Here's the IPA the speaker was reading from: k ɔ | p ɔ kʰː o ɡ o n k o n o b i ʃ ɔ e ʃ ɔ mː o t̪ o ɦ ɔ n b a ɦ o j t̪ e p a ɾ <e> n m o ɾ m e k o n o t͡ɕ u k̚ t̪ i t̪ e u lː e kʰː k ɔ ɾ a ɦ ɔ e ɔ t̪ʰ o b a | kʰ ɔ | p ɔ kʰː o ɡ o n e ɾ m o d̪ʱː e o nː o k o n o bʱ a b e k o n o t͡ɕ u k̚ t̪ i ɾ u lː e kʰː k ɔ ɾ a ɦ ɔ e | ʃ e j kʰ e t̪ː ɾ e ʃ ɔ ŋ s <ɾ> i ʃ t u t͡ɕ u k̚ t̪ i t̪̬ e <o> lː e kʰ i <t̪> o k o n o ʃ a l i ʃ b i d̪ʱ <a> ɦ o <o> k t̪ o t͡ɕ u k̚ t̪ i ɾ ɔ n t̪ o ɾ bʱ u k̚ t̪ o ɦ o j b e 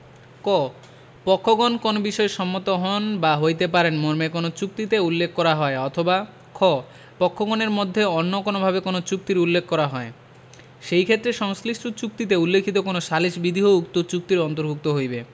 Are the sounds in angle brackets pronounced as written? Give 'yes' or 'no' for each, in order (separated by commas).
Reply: yes, no, no, yes, no, no